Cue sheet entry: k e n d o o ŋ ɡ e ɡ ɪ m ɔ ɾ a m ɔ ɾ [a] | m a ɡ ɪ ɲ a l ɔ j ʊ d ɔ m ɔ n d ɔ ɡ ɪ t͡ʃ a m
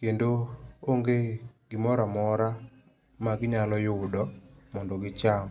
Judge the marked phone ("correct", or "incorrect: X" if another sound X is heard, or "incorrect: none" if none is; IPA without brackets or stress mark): correct